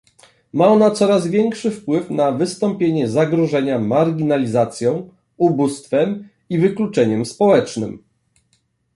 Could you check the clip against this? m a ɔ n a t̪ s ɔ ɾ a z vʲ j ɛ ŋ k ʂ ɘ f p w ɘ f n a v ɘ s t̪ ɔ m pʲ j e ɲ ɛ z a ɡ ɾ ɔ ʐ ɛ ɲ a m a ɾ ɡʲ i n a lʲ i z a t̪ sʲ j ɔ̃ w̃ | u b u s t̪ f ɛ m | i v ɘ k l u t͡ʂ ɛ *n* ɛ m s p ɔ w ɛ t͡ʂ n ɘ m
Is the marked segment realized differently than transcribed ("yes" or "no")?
yes